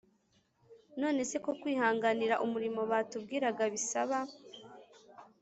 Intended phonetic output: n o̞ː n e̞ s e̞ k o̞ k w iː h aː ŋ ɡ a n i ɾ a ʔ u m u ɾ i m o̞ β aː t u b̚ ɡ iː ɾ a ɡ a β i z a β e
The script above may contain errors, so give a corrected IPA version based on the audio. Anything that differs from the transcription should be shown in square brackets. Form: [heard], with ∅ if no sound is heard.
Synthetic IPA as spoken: n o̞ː n e̞ s e̞ k o̞ k w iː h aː ŋ ɡ a n i ɾ a ʔ u m u ɾ i m o̞ β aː t u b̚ ɡ iː ɾ a ɡ a β i [s] a β [a]